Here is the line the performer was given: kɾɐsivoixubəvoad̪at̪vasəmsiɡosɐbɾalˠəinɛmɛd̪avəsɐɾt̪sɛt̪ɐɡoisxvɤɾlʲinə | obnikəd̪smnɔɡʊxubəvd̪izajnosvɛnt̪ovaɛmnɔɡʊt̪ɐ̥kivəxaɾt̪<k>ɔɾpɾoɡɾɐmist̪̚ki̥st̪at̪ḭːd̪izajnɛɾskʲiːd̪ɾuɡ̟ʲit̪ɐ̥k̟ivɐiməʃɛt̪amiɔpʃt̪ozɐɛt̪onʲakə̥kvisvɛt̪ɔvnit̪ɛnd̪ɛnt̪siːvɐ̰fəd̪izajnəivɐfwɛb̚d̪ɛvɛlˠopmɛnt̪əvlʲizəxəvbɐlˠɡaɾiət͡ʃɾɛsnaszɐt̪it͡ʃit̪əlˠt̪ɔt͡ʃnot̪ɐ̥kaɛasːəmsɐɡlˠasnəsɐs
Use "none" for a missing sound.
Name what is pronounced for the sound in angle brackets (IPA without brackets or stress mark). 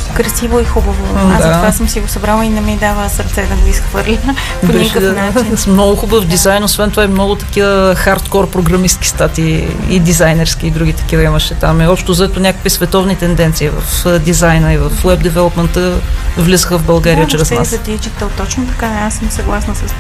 k